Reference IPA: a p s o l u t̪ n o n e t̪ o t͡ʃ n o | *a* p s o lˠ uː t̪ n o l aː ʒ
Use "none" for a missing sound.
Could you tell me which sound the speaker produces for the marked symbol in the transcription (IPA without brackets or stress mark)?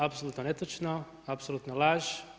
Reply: a